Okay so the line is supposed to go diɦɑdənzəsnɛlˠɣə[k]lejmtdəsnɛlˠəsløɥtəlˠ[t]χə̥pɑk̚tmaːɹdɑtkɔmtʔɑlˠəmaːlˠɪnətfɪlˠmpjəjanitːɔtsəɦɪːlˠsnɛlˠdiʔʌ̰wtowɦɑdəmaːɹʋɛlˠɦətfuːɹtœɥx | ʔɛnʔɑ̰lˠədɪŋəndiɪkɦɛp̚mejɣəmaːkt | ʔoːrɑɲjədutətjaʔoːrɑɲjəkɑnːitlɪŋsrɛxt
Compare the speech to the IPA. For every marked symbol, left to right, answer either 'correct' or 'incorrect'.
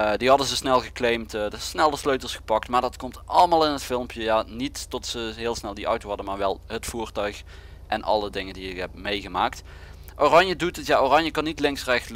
correct, incorrect

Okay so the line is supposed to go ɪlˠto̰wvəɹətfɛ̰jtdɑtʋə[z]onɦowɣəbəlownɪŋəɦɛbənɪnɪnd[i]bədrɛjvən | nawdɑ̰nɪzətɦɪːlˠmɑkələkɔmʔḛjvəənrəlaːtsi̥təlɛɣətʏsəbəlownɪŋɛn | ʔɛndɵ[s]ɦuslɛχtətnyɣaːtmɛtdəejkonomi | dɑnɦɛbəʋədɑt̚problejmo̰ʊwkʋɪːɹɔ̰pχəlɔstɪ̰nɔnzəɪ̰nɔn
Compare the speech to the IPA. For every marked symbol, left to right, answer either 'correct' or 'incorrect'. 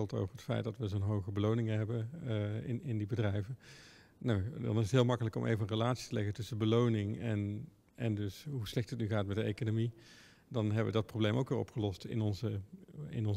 correct, correct, correct

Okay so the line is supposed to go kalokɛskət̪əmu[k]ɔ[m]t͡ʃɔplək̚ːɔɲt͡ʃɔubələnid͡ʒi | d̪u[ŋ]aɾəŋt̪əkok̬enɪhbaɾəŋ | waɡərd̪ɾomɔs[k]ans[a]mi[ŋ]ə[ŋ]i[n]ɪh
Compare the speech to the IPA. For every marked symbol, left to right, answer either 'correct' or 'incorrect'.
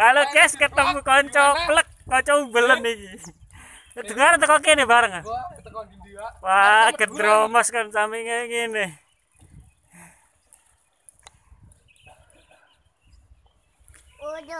correct, incorrect, correct, correct, correct, correct, correct, correct

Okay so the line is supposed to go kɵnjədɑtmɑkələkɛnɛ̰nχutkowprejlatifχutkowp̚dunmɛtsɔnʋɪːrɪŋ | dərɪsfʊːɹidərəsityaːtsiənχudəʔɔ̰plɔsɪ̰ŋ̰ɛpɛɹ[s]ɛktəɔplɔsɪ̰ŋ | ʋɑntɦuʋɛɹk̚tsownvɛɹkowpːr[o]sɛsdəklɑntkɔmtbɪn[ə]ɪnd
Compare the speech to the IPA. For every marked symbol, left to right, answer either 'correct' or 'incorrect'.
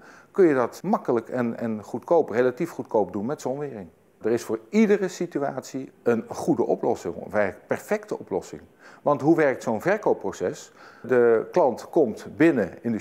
incorrect, correct, correct

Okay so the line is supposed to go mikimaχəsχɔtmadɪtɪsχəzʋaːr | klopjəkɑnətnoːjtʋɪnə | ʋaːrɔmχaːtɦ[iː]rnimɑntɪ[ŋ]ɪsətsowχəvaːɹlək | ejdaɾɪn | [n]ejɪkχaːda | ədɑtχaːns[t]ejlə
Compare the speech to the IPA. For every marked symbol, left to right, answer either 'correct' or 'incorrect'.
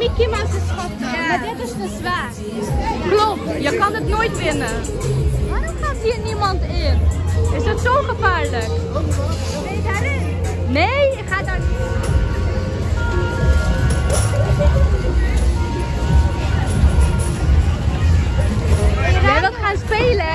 correct, incorrect, correct, incorrect

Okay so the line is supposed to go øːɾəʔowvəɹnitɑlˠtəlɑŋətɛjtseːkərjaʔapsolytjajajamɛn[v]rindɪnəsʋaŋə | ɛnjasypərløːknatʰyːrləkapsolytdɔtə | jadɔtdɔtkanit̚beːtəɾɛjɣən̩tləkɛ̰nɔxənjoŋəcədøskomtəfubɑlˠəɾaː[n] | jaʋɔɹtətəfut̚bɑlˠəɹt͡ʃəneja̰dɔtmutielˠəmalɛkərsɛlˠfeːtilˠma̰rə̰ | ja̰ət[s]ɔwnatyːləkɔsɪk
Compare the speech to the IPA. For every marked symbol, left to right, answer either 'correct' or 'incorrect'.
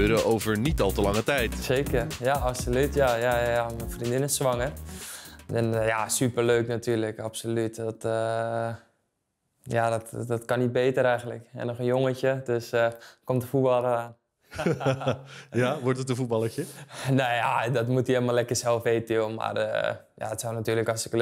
incorrect, correct, correct

